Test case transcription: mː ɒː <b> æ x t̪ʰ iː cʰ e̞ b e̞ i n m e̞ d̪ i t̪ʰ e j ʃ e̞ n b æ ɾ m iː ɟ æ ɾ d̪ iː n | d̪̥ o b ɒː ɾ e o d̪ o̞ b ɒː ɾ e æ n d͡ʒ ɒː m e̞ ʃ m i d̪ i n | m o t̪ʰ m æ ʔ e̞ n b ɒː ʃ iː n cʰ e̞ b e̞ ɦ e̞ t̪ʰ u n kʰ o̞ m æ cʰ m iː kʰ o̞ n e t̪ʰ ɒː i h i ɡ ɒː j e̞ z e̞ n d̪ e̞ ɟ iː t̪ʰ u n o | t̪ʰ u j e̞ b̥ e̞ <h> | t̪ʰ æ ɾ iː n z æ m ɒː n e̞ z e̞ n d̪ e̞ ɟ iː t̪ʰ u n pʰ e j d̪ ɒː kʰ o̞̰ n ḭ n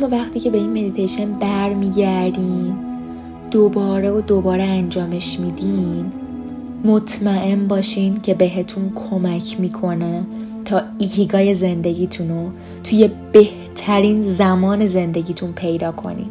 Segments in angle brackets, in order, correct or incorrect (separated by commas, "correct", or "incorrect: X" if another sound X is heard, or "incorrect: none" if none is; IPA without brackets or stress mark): incorrect: v, correct